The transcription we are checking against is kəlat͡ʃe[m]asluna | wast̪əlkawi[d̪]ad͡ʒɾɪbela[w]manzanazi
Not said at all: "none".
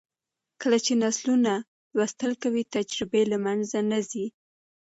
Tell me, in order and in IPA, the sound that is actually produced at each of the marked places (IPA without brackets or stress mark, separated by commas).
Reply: n, t̪, none